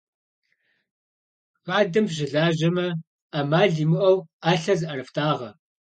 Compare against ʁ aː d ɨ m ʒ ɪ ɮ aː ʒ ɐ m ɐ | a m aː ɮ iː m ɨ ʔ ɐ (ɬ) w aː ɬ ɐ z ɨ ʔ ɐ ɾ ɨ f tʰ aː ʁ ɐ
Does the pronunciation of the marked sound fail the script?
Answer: yes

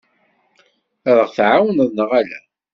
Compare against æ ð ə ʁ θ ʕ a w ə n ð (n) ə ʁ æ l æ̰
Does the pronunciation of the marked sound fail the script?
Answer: no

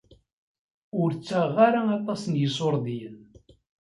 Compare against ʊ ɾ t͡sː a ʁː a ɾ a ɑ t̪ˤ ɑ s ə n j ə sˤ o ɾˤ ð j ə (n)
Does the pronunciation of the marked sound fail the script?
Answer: no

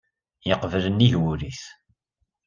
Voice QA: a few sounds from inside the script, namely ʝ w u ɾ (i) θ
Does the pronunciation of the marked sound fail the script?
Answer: no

